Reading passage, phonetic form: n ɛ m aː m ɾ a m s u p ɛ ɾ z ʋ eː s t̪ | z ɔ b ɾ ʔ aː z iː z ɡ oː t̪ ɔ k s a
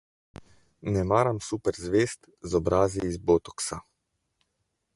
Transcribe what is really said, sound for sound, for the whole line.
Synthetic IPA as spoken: n ɛ m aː ɾ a m s u p ɛ ɾ z ʋ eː s t̪ | z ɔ b ɾ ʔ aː z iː z b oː t̪ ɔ k s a

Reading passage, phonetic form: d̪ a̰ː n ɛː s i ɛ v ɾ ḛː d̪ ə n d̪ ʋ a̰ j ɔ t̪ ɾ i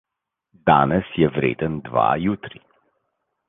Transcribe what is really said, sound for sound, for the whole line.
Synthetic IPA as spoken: d̪ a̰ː n ɛ s j ɛ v ɾ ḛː d̪ ə n d̪ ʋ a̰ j u t̪ ɾ i

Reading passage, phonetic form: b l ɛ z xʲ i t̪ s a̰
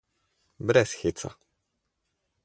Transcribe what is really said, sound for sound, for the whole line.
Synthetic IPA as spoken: b ɾ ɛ s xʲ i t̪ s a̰

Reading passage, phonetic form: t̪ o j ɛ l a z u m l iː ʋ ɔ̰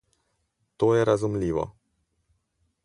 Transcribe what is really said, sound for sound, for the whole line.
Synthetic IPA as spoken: t̪ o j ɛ ɾ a z u m l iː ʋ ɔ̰

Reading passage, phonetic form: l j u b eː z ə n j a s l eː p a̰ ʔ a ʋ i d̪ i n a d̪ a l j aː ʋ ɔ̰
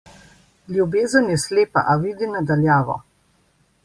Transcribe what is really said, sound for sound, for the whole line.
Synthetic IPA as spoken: l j u b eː z ə n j ɛ s l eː p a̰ ʔ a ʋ i d̪ i n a d̪ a l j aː ʋ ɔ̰

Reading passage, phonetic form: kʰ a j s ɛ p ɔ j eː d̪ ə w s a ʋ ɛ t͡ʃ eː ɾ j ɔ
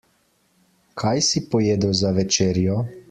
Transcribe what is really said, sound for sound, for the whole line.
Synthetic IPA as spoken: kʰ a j s i p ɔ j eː d̪ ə w z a ʋ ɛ t͡ʃ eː ɾ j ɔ

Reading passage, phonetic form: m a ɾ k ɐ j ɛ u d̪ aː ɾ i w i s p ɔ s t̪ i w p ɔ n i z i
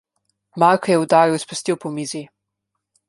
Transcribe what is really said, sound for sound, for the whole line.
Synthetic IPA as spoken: m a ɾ k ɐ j ɛ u d̪ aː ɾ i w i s p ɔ s t̪ i w p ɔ m i z i

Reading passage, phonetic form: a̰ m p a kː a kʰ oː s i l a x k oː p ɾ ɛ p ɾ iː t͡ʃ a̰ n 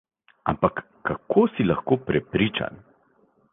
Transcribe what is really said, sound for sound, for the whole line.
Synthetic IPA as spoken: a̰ m p a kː a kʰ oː s i l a x k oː p ɾ ɛ p ɾ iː t͡ʃ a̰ n

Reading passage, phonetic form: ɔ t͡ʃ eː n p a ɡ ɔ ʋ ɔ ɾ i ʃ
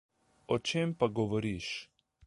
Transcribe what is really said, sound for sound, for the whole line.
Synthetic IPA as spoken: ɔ t͡ʃ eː m p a ɡ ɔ ʋ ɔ ɾ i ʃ

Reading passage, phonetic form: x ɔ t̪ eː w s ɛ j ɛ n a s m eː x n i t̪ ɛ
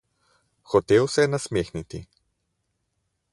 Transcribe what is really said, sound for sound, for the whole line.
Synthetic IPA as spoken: x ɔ t̪ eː w s ɛ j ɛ n a s m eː x n i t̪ i

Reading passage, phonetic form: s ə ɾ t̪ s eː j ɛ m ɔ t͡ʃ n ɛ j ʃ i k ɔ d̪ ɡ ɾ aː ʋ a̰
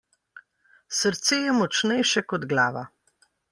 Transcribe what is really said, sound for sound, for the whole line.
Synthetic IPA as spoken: s ə ɾ t̪ s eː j ɛ m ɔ t͡ʃ n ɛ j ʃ ɛ k ɔ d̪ ɡ l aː ʋ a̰

